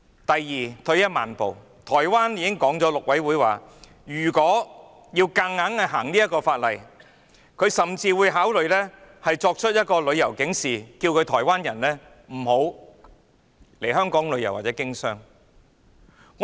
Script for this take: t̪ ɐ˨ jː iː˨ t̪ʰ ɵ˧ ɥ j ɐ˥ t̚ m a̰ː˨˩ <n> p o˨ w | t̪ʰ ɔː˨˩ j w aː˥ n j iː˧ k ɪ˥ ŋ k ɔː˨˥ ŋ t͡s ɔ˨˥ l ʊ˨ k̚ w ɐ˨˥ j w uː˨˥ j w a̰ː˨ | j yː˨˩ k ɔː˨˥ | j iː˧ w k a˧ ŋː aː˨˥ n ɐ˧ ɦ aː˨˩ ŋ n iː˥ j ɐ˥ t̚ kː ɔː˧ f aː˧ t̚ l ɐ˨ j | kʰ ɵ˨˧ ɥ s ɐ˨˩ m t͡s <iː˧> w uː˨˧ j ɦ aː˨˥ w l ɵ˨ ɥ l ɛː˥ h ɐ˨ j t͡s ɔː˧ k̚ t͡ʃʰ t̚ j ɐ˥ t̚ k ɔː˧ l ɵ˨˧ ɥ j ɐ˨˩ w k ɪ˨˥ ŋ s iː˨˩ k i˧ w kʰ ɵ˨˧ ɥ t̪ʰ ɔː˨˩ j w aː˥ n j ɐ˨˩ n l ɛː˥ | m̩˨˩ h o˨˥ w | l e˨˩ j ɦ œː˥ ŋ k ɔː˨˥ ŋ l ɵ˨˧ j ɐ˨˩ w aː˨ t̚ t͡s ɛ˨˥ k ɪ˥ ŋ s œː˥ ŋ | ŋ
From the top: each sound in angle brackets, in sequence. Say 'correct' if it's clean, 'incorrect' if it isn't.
correct, correct

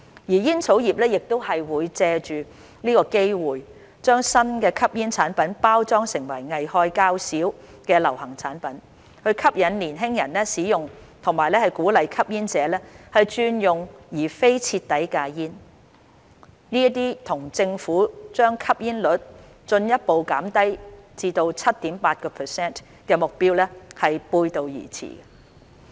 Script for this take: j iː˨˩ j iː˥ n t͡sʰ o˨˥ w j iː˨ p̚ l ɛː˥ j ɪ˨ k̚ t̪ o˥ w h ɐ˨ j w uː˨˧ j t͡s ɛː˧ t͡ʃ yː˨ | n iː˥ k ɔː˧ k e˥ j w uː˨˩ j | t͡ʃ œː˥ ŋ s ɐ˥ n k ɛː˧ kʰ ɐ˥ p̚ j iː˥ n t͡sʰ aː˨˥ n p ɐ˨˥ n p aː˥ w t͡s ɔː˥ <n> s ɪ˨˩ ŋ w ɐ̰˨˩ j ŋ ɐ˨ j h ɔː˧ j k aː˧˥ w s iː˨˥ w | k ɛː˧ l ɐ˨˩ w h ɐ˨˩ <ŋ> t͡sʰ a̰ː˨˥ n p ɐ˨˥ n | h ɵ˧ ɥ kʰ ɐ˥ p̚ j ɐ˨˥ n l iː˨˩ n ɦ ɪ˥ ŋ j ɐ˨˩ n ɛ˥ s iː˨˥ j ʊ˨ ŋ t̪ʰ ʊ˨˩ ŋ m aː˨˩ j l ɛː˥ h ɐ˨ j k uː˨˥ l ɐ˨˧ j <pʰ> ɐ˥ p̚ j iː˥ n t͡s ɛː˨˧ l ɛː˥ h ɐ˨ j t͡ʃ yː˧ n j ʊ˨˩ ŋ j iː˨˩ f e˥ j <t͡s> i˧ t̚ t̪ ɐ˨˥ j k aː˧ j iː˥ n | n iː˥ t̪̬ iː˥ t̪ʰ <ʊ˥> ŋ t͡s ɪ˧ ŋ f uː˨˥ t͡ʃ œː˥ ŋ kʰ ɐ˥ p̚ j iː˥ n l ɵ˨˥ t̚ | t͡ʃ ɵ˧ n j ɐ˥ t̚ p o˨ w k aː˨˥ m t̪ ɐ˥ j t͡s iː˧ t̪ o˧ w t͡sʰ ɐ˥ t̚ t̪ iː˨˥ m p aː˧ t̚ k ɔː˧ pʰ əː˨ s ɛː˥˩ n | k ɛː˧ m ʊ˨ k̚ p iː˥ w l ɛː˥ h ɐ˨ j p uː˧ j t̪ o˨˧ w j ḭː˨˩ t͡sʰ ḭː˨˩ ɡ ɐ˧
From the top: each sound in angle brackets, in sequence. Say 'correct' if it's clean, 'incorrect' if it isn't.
incorrect: ŋ, correct, incorrect: kʰ, incorrect: t͡sʰ, incorrect: ʊ˨˩

